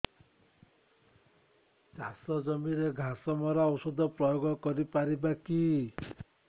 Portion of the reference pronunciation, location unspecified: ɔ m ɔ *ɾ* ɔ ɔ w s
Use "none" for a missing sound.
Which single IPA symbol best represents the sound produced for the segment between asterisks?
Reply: ɾ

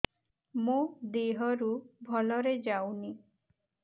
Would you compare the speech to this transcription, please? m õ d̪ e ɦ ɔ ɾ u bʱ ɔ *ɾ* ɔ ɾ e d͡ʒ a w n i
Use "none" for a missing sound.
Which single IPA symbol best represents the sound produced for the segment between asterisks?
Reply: l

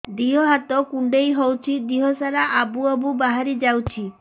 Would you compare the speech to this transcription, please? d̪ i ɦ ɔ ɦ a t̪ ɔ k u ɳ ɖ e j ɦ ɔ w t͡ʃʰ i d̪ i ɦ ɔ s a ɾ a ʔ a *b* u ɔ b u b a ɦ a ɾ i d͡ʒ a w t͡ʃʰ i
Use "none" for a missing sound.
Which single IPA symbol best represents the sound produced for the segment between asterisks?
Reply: b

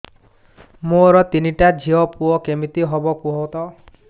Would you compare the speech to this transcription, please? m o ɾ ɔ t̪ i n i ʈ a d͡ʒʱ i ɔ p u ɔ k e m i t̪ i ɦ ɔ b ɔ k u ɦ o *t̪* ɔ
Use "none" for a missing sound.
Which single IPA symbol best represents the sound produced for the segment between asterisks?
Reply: t̪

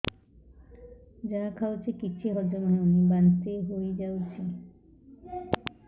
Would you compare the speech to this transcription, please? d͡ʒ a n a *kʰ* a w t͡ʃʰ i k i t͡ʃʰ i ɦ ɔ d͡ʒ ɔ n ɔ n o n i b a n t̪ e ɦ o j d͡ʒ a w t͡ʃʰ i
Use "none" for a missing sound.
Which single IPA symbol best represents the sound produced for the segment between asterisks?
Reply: kʰ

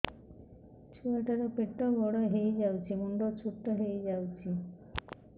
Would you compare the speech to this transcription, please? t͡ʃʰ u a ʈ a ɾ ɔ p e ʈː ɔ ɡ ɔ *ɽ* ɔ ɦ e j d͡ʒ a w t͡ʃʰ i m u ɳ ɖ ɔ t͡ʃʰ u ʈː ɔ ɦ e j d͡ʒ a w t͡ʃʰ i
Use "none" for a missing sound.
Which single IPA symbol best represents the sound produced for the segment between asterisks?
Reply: ɽ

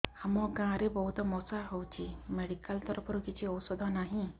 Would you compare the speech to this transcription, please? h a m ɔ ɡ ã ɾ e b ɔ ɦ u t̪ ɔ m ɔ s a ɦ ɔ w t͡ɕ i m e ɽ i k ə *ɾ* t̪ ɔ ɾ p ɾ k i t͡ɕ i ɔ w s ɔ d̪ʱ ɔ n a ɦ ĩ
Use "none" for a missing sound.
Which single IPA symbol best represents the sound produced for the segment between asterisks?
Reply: l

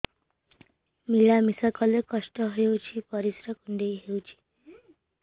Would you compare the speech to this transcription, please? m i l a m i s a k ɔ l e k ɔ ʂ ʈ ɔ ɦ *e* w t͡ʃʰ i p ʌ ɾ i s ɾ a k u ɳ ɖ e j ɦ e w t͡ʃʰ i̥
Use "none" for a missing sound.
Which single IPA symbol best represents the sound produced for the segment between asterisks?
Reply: e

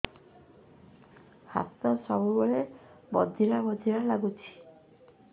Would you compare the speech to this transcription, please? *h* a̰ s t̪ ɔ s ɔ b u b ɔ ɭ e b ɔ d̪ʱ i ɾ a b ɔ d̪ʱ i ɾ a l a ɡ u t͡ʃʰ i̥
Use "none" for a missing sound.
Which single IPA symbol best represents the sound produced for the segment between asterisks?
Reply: h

